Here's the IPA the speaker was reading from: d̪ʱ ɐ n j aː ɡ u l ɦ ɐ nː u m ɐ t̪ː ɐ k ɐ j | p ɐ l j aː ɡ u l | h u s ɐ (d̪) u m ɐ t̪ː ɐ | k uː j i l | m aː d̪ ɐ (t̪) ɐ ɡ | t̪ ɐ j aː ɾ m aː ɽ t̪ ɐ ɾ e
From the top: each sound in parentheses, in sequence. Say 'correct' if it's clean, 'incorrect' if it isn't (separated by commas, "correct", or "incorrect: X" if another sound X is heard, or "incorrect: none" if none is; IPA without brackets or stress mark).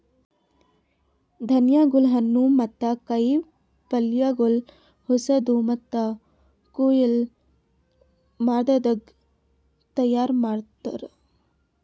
correct, incorrect: d̪